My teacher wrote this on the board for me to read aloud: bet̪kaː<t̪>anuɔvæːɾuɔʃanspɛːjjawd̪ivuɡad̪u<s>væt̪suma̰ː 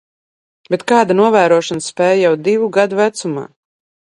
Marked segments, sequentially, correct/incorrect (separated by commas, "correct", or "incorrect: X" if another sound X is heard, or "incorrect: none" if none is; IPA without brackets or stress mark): incorrect: d̪, incorrect: none